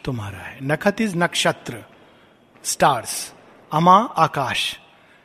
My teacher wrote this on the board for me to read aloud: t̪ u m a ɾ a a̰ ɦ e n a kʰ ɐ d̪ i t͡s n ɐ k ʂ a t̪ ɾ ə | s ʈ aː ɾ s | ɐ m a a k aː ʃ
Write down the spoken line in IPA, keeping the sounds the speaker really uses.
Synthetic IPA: t̪ u m a ɾ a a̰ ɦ e n ɐ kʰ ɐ t̪ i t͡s n ɐ k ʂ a t̪ ɾ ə | s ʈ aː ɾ s | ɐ m a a k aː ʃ